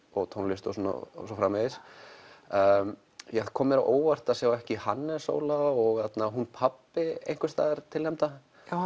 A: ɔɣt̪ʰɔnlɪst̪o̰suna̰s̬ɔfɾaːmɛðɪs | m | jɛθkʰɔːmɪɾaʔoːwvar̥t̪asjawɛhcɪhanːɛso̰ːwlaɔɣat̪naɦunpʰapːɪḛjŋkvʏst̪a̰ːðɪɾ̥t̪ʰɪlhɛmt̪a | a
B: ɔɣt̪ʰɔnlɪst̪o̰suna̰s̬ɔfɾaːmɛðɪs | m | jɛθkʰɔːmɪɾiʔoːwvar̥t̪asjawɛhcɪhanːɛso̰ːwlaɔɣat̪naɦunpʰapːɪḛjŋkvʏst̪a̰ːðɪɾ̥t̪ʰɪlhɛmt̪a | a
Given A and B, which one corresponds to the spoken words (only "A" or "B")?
A